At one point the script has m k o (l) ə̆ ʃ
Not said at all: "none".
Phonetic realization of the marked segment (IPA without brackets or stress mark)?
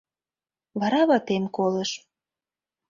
l